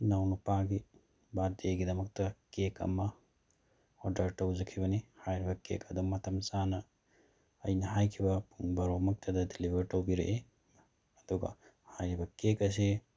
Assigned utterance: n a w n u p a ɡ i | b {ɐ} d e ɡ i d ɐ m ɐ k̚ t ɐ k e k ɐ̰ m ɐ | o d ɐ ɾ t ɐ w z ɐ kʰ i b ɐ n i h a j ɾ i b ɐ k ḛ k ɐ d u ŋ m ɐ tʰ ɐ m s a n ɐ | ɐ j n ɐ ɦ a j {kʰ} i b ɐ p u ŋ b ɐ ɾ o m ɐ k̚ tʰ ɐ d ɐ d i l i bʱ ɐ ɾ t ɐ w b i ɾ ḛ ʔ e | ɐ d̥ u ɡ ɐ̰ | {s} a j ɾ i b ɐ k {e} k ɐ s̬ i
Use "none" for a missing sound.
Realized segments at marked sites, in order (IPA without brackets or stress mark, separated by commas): a, kʰ, h, e